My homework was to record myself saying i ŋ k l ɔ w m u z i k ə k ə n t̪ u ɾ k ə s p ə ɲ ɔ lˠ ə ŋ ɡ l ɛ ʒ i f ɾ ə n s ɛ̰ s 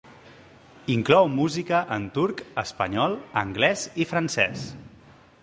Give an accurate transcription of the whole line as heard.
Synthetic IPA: i ŋ k l ɔ w m u z i k ə ʔ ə n t̪ u ɾ k ə s p ə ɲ ɔ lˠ ə ŋ ɡ l ɛ z i f ɾ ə n s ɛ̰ s